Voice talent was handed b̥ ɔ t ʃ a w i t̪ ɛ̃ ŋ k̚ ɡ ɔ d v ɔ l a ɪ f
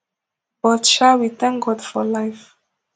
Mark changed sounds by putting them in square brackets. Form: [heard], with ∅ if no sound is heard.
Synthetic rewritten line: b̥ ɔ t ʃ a w i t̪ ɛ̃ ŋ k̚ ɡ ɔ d [f] ɔ l a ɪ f